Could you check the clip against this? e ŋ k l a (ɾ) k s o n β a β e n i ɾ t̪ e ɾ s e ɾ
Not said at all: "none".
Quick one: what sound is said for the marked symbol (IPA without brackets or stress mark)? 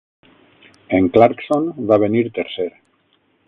ɾ